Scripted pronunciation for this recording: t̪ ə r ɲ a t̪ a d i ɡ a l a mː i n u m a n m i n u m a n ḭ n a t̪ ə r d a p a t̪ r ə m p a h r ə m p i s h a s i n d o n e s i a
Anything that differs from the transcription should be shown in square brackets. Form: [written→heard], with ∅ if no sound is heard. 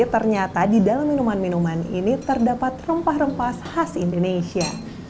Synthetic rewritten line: t̪ ə r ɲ a t̪ a d i [ɡ→d] a l a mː i n u m a n m i n u m a n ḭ n [a→i] t̪ ə r d a p a t̪ r ə m p a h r ə m p [i→a] s h a s i n d o n e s i a